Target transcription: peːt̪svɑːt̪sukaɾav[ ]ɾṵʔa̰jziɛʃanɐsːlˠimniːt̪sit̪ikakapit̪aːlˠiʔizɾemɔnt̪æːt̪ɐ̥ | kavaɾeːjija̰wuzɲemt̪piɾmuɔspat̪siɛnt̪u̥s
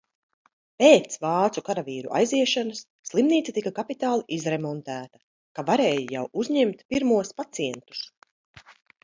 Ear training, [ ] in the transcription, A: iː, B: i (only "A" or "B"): A